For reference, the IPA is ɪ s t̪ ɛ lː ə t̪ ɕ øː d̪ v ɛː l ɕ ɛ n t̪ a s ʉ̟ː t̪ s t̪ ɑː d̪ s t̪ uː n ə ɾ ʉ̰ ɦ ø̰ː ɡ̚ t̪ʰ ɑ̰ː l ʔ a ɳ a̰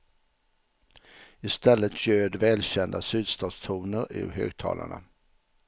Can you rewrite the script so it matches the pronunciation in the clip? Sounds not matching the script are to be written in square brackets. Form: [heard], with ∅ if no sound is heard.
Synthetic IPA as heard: ɪ s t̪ ɛ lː ə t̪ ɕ øː d̪ v ɛː l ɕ ɛ n [d̪] a s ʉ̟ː [d̪] s t̪ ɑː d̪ s [t̪ʰ] uː n ə ɾ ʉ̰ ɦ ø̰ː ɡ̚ t̪ʰ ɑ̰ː l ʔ a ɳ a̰